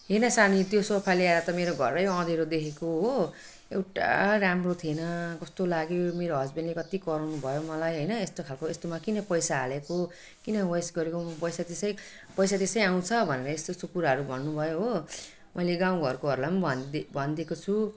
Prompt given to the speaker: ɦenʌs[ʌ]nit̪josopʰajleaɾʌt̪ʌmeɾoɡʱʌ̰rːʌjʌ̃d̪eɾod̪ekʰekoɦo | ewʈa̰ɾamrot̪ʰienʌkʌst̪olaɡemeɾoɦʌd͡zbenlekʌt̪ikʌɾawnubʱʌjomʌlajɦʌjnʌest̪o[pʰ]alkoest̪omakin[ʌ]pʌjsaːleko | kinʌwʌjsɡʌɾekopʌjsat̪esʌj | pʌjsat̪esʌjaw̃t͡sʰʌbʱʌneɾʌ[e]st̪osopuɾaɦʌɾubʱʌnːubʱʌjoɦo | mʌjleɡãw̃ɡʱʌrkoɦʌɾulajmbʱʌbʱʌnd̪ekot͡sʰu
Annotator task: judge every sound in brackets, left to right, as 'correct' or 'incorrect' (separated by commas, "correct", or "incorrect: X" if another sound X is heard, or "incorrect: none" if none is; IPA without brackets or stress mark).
incorrect: a, incorrect: kʰ, correct, correct